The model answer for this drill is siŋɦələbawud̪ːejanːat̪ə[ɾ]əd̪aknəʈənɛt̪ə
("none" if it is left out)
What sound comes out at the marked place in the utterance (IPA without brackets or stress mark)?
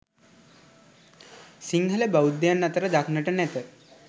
ɾ